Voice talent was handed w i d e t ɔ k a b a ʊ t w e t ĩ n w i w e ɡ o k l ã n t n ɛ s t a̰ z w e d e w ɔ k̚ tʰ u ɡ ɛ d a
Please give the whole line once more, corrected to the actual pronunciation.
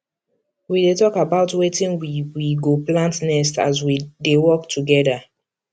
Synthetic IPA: w i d e t ɔ k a b a ʊ t w e t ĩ n w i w i ɡ o p l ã n t n ɛ s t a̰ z w i d e w ɔ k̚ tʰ u ɡ ɛ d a